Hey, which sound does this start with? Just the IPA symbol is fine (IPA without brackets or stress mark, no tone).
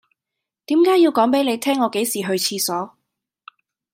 t̪